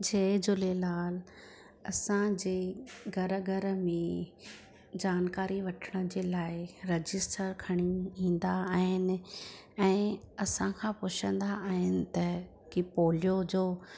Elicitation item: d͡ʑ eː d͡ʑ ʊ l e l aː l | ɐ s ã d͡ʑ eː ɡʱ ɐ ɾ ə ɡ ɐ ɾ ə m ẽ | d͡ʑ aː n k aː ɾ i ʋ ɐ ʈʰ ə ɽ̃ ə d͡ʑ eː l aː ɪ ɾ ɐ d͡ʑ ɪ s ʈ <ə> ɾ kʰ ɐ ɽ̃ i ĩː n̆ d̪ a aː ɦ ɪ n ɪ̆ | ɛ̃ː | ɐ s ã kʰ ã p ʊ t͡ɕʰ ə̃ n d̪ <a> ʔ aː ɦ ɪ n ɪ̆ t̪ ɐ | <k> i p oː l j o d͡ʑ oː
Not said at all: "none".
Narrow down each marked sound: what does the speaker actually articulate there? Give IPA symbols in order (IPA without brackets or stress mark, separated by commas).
ə, a, k